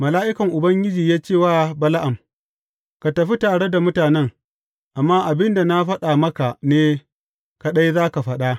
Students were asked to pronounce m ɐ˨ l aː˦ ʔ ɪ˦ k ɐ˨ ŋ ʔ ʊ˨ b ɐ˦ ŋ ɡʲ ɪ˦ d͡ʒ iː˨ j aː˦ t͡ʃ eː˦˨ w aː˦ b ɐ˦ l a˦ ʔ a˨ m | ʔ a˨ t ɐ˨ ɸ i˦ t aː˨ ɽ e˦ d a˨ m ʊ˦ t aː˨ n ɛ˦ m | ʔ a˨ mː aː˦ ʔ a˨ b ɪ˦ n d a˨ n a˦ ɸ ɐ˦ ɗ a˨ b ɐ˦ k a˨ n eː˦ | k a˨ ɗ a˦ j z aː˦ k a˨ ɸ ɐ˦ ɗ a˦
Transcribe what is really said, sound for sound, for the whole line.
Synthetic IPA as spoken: m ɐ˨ l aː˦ ʔ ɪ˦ k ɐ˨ ŋ ʔ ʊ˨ b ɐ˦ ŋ ɡʲ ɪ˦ d͡ʒ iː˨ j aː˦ t͡ʃ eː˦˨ w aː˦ b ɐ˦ l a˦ ʔ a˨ m | k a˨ t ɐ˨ ɸ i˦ t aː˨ ɽ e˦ d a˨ m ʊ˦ t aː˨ n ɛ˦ ŋ | ʔ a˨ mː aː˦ ʔ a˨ b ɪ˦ n d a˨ n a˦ ɸ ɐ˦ ɗ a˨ m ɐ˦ k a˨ n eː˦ | k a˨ ɗ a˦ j z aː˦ k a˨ ɸ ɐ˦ ɗ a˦